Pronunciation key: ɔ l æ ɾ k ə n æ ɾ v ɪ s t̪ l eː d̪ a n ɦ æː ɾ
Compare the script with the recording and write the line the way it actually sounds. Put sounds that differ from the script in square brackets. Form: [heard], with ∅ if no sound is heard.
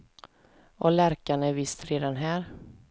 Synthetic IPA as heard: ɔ l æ ɾ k [a] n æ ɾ v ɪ s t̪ [ɾ] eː d̪ a n ɦ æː ɾ